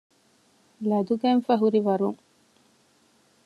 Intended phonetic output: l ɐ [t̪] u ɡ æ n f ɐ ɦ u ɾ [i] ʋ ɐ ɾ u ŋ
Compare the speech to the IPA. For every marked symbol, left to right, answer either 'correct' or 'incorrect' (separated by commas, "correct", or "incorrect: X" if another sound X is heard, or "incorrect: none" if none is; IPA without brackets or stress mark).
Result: incorrect: d̪, correct